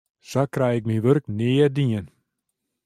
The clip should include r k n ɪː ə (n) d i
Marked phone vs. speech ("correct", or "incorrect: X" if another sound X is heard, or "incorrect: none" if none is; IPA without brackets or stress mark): incorrect: none